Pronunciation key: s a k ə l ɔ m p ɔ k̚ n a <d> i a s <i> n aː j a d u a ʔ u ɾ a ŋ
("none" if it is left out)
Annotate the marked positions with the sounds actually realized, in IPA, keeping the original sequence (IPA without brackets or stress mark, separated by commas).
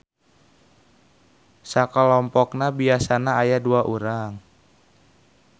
b, a